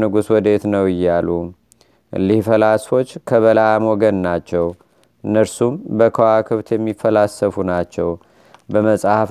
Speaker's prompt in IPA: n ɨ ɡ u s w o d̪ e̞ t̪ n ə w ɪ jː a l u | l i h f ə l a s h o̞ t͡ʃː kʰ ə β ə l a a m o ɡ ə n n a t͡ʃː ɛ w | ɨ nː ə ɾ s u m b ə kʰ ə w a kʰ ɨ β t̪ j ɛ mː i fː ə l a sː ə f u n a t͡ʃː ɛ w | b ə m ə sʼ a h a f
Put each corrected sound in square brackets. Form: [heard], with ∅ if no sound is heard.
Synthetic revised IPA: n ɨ ɡ u s w [ɔ] d̪ e̞ t̪ n ə w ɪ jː a l u | l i h f ə l a s [f] o̞ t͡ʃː kʰ ə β ə l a a m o ɡ ə n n a t͡ʃː ɛ w | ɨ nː ə ɾ s u m b ə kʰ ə w a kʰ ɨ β t̪ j ɛ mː i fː ə l a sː ə f u n a t͡ʃː ɛ w | b ə m ə sʼ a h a f